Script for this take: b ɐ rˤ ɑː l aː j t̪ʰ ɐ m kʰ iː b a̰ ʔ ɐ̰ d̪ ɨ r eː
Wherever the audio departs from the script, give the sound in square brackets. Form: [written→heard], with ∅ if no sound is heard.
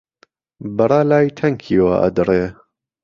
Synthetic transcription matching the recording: b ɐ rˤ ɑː l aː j t̪ʰ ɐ [m→ŋ] kʰ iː [b→w] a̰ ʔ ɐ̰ d̪ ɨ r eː